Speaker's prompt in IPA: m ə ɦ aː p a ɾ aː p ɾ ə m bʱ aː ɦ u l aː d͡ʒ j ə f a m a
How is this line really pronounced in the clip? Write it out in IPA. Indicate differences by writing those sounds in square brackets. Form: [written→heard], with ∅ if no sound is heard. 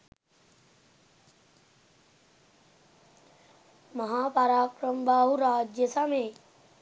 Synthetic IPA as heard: m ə ɦ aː p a ɾ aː [p→k] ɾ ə m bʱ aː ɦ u [l→ɾ] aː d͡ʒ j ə [f→s] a m [a→e]